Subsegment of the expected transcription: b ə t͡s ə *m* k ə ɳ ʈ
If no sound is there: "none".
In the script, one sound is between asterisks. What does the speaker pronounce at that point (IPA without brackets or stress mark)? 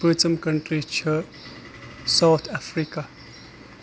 m